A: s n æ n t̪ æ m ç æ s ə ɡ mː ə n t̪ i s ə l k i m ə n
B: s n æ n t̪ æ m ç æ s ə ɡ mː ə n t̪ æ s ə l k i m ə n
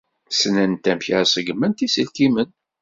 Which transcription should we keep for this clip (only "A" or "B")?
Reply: A